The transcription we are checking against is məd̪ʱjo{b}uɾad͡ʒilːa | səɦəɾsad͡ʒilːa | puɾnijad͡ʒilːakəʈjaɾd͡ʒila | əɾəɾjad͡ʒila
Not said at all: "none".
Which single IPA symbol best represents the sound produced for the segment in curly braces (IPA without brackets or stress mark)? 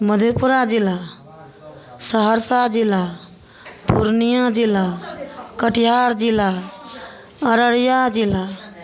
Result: p